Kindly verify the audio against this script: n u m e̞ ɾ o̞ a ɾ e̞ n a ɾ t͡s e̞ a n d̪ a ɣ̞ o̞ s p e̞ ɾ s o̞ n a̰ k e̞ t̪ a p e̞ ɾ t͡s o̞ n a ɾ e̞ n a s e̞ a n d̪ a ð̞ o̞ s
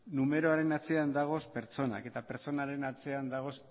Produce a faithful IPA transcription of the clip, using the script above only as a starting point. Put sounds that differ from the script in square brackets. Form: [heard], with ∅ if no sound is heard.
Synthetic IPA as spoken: n u m e̞ ɾ o̞ a ɾ e̞ n a [∅] t͡s e̞ a n d̪ a ɣ̞ o̞ s p e̞ ɾ [t͡s] o̞ n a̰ k e̞ t̪ a p e̞ ɾ t͡s o̞ n a ɾ e̞ n a [t͡s] e̞ a n d̪ a [ɣ̞] o̞ s